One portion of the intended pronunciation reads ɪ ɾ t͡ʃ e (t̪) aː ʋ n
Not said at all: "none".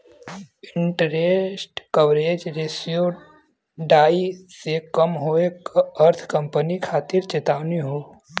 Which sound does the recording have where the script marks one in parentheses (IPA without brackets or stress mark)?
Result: t̪